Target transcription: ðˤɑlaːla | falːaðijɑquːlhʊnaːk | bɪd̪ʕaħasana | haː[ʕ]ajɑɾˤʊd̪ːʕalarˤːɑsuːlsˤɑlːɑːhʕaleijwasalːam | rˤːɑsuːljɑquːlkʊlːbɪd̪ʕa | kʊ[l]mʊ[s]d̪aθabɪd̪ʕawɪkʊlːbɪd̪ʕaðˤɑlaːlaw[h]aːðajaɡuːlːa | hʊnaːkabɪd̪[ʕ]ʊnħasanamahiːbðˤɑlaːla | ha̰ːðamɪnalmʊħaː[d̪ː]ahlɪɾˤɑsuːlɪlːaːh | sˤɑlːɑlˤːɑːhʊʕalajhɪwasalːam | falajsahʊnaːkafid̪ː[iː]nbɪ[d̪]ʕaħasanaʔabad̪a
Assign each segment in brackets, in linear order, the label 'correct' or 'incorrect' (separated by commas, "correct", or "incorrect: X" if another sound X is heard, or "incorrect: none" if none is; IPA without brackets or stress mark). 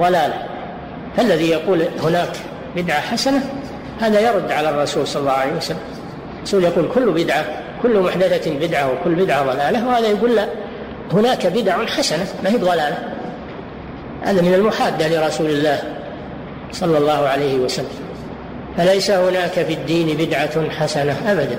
incorrect: ð, incorrect: lː, incorrect: ħ, correct, correct, correct, correct, correct